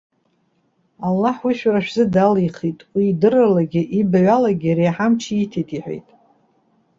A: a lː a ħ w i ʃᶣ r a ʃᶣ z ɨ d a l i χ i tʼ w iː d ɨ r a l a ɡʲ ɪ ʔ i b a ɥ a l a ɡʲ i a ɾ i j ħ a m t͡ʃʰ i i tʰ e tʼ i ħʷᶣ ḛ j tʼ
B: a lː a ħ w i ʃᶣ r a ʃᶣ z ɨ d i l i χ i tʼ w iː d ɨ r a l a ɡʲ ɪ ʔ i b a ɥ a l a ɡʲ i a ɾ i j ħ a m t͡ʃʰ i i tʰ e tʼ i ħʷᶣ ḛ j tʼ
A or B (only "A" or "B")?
A